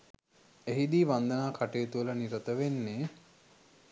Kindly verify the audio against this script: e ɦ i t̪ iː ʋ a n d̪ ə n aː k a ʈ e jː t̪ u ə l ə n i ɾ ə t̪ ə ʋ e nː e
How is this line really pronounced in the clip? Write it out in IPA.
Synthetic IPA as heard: e ɦ i d̪ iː ʋ a n d̪ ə n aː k a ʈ e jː t̪ u ə l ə n i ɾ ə t̪ ə ʋ e nː e